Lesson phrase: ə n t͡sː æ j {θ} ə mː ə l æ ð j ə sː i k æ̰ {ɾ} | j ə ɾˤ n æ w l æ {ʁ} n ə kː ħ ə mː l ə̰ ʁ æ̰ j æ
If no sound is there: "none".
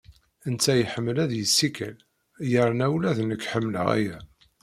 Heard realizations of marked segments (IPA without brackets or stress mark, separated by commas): ħ, l, ð